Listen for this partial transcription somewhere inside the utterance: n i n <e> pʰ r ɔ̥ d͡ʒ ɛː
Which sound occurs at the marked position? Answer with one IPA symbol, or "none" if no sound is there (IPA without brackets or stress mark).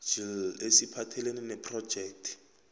ɛ